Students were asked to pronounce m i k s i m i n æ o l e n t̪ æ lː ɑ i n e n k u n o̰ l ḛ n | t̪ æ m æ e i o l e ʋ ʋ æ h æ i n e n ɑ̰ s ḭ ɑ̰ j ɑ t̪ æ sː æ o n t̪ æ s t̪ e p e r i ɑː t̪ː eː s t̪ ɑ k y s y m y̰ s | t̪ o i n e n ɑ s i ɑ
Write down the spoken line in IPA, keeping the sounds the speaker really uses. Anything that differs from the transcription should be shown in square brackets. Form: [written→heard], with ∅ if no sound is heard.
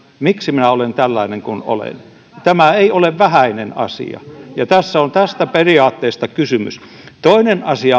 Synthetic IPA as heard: m i k s i m i n æ o l e n t̪ æ lː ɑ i n e [n→ŋ] k u n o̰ l ḛ n | t̪ æ m æ e i o l e ʋ ʋ æ h æ i n e n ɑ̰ s ḭ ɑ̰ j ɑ t̪ æ sː æ o n t̪ æ s t̪ [e→æ] p e r i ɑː t̪ː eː s t̪ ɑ k y s y m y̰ s | t̪ o i n e n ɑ s i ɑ